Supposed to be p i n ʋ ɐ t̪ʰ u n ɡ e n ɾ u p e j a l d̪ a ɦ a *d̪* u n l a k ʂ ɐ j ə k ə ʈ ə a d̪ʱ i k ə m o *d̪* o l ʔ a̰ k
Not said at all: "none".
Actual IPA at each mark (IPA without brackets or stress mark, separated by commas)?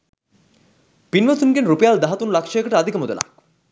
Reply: t̪, d̪